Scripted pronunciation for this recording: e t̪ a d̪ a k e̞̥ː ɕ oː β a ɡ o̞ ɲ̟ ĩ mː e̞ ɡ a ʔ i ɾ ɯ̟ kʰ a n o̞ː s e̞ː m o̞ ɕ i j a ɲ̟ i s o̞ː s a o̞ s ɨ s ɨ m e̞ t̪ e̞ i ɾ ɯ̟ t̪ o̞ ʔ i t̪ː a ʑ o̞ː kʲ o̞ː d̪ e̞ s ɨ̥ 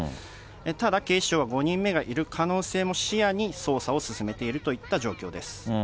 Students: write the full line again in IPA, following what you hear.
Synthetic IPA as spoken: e t̪ a d̪ a k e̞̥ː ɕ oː β a ɡ o̞ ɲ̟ ĩ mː e̞ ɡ a ʔ i ɾ ɯ̟ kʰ a n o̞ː s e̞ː m o̞ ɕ i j a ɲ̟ i s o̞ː s a o̞ s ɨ s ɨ m e̞ t̪ e̞ i ɾ ɯ̟ t̪ o̞ i t̪ː a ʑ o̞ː kʲ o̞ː d̪ e̞ s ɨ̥